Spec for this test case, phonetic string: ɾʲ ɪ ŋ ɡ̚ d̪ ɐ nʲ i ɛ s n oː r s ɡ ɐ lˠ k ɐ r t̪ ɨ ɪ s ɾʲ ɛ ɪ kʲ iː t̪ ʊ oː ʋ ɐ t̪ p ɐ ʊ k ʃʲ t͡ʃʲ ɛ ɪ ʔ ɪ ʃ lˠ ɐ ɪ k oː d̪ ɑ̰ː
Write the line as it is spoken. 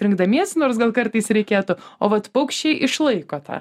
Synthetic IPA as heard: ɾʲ ɪ ŋ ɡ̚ d̪ ɐ mʲ i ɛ s n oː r s ɡ ɐ lˠ k ɐ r t̪ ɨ ɪ s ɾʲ ɛ ɪ kʲ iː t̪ ʊ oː ʋ ɐ t̪ p ɐ ʊ k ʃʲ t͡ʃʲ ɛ ɪ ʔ ɪ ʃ lˠ ɐ ɪ k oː t̪ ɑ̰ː